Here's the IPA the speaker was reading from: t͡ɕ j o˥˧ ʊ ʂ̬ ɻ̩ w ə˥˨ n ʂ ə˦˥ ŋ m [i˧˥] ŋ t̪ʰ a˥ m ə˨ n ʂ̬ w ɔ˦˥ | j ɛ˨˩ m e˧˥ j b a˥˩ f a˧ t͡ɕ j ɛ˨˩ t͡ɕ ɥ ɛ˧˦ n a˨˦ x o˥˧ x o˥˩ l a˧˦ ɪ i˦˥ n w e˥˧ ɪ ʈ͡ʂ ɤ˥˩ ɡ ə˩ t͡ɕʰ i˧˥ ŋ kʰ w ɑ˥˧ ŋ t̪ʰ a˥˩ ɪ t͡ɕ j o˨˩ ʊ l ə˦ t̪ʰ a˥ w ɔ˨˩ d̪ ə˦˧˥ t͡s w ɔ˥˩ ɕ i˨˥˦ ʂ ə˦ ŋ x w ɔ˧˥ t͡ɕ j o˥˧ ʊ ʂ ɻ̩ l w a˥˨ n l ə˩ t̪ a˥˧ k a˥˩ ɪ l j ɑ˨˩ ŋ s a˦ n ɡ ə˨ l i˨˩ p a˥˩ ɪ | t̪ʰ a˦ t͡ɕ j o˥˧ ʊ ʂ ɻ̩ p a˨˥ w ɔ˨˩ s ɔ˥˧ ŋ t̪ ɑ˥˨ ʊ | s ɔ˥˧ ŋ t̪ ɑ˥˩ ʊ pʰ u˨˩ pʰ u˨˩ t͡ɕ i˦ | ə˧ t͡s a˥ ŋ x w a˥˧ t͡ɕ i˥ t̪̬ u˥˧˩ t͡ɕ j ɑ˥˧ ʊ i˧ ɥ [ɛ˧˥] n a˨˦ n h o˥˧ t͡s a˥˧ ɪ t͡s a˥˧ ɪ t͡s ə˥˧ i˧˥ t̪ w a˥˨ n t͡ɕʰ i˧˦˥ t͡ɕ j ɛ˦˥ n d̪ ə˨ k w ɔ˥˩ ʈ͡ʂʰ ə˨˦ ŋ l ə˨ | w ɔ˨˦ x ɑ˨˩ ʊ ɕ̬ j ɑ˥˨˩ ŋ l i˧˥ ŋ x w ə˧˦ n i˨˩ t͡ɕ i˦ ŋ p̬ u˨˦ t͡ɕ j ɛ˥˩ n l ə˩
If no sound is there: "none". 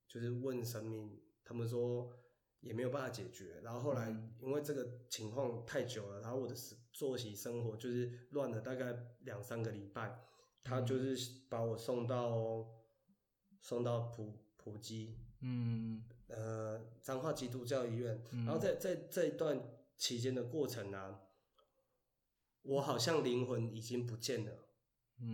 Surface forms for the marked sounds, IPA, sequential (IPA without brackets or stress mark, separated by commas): i˥˩, ɛ˥˨